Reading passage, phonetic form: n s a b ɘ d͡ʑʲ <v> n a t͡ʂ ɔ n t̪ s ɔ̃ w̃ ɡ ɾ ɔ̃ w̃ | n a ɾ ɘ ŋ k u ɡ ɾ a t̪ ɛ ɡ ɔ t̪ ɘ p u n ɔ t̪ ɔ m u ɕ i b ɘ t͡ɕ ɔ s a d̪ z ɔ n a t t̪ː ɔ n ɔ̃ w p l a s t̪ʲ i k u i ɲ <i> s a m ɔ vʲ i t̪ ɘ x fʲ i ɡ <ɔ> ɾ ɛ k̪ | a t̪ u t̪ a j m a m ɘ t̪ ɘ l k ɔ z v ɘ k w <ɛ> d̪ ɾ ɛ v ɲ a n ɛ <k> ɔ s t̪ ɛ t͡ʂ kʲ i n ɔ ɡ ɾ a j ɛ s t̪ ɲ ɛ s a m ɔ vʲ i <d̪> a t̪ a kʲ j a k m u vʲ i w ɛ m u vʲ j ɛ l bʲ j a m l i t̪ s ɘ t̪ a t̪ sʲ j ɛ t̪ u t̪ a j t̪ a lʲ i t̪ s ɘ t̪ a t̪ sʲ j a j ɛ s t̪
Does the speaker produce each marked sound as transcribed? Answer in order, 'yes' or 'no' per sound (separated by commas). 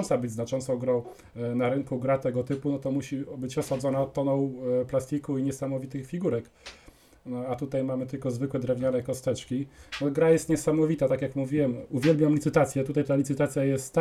no, no, no, yes, yes, no